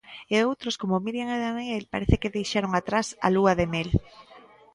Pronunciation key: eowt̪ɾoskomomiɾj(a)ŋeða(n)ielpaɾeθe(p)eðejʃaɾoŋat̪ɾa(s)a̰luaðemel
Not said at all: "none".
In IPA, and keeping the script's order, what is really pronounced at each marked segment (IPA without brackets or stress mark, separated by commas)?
a, n, k, s